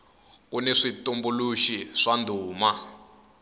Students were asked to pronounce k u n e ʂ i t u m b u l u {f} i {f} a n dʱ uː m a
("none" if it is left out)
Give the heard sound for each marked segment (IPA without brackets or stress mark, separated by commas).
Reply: ʃ, ʂ